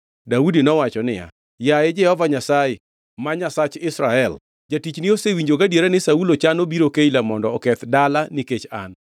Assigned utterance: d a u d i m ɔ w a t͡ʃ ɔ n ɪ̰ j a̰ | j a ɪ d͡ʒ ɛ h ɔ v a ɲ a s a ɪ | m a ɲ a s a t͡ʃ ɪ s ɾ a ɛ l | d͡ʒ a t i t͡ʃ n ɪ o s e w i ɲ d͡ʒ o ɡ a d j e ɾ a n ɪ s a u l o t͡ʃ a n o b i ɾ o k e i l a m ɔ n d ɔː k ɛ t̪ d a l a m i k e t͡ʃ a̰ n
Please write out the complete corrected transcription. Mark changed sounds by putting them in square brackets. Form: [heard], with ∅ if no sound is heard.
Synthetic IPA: d a u d i [n] ɔ w a t͡ʃ ɔ n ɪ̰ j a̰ | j a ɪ d͡ʒ ɛ h ɔ v a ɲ a s a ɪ | m a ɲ a s a t͡ʃ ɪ s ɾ a ɛ l | d͡ʒ a t i t͡ʃ n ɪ o s e w i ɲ d͡ʒ o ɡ a d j e ɾ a n ɪ s a u l o t͡ʃ a n o b i ɾ o k e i l a m ɔ n d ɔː k ɛ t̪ d a l a [n] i k e t͡ʃ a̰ n